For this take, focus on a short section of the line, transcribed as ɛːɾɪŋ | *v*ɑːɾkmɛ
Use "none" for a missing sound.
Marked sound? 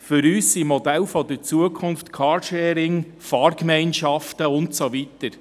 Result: f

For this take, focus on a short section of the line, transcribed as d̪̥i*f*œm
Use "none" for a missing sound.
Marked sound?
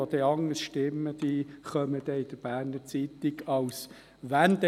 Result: χ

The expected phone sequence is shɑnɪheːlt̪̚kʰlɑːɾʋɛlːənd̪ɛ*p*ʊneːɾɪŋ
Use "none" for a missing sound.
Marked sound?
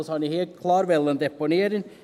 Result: p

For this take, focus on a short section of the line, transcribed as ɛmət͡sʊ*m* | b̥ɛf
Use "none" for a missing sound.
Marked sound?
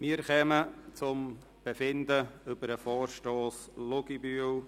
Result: m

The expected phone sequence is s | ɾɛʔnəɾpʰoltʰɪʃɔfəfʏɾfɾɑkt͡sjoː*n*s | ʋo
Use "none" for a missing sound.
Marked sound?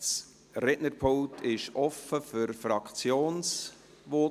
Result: n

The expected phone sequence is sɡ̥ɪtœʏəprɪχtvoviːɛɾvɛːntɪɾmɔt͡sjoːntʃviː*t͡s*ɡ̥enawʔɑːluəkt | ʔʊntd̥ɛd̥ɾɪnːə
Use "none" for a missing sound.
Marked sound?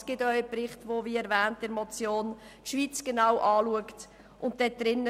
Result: t͡s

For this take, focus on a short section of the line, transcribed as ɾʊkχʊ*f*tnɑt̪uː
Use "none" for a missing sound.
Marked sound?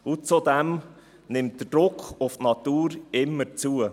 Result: f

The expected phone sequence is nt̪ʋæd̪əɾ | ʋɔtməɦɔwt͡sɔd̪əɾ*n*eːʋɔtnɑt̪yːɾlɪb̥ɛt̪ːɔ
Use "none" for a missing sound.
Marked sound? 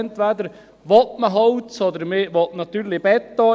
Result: m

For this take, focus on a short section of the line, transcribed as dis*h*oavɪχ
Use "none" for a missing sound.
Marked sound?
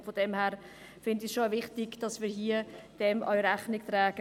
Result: ʃ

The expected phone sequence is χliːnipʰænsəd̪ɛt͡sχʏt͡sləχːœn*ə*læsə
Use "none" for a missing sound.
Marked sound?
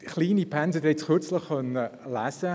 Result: ə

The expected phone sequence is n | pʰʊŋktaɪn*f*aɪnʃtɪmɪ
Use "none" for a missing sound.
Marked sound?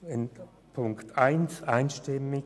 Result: s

